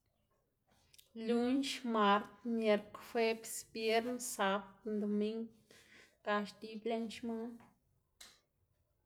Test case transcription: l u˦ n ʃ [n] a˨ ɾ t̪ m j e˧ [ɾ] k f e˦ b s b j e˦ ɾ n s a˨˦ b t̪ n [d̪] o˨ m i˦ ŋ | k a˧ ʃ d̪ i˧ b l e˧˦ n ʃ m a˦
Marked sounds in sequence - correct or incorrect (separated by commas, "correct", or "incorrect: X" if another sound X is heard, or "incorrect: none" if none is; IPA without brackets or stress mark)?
incorrect: m, correct, correct